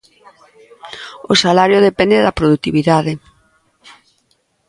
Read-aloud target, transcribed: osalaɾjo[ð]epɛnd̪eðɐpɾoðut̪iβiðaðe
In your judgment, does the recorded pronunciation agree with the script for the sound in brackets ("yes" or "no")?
yes